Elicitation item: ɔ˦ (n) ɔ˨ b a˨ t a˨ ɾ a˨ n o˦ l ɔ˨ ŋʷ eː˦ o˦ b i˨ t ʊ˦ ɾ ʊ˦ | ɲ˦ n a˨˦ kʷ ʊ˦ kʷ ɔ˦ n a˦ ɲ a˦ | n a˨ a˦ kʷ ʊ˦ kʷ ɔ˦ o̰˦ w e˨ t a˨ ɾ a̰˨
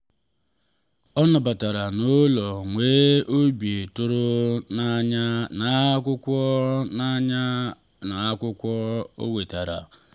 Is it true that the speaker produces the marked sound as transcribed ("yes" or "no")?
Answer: yes